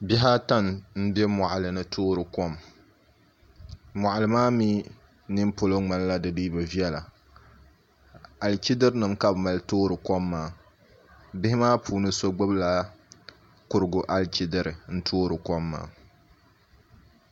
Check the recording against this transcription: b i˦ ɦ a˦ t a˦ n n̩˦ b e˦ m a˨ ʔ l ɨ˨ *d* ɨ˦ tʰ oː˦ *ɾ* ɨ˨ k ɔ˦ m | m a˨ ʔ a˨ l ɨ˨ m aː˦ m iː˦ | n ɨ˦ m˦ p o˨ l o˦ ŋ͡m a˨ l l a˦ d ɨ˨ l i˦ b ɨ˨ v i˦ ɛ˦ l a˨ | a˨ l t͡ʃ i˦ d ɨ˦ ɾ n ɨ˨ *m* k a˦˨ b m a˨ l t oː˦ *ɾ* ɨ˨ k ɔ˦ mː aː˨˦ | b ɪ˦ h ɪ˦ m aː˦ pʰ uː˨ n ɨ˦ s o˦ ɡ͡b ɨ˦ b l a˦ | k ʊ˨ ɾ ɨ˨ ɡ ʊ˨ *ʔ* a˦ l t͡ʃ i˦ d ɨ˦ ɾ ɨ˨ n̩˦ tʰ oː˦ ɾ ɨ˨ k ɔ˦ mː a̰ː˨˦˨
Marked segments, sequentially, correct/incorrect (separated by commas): incorrect, correct, correct, correct, correct